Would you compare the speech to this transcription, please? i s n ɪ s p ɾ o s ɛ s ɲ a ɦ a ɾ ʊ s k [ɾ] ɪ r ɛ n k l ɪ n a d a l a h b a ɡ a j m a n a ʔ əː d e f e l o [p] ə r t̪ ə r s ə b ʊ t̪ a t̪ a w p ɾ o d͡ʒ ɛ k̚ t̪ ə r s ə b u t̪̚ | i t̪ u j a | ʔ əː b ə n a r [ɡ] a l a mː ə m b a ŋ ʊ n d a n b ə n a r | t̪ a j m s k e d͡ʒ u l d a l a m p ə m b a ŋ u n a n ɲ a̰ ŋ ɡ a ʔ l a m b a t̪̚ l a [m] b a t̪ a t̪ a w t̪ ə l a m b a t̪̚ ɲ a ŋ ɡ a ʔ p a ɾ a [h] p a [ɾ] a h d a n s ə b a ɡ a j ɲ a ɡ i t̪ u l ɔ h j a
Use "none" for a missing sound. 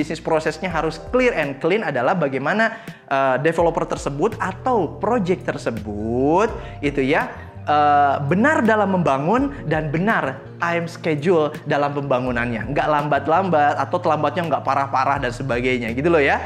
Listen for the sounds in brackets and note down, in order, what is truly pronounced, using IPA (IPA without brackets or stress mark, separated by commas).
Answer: l, p, d, m, h, ɾ